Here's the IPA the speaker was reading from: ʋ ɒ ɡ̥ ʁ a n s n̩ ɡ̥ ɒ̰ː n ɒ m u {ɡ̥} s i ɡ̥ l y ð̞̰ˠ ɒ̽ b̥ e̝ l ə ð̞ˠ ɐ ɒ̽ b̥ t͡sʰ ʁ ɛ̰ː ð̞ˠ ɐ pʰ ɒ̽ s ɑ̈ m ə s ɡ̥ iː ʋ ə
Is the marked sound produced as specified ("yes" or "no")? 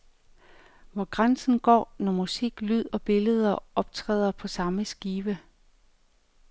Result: no